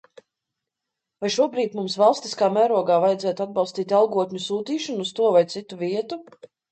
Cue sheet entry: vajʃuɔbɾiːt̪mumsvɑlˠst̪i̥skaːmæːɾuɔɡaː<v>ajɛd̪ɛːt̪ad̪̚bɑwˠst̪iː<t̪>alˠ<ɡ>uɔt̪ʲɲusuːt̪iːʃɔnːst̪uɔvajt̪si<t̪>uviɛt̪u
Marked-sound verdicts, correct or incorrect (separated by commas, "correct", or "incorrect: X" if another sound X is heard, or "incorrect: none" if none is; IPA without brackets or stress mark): correct, correct, correct, correct